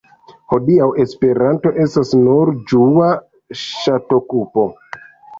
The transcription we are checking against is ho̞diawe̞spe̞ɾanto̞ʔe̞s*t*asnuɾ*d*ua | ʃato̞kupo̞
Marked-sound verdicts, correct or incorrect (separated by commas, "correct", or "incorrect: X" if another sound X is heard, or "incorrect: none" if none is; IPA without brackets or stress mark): correct, incorrect: d͡ʒ